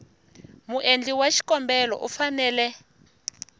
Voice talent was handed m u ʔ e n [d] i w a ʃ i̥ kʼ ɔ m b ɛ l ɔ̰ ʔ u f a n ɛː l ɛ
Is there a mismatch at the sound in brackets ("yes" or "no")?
yes